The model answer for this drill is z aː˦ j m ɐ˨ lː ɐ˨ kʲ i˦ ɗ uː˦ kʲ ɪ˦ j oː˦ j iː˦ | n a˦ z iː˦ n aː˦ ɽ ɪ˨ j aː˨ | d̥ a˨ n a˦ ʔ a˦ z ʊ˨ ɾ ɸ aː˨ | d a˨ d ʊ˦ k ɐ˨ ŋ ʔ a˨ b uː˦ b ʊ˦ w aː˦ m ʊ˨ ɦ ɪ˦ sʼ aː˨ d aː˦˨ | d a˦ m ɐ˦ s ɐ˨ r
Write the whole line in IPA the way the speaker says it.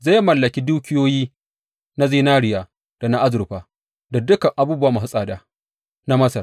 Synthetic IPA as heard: z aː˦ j m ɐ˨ lː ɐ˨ kʲ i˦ d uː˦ kʲ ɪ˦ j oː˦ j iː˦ | n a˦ z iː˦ n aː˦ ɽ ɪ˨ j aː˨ | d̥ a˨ n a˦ ʔ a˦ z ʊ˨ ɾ ɸ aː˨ | d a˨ d ʊ˦ k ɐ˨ ŋ ʔ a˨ b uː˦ b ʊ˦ w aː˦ m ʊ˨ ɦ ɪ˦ sʼ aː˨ d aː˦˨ | n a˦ m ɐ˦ s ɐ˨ r